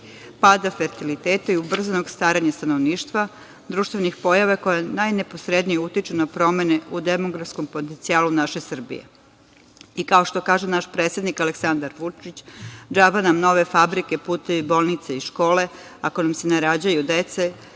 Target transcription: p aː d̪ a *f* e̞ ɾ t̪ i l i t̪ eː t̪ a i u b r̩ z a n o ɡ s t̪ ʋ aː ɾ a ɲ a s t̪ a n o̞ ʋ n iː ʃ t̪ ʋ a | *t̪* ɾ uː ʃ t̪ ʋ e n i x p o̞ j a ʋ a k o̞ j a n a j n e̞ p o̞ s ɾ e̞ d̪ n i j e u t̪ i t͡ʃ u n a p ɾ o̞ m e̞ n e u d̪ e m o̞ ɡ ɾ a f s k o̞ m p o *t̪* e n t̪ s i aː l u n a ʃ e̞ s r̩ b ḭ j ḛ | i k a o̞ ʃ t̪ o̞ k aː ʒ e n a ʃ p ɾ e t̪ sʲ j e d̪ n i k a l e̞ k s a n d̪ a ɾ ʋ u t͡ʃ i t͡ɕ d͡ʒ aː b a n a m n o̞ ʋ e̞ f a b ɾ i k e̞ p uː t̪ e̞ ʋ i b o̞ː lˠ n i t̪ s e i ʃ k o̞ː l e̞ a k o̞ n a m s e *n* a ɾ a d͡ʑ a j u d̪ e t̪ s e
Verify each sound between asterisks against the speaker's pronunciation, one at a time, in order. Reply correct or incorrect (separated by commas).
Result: correct, incorrect, correct, correct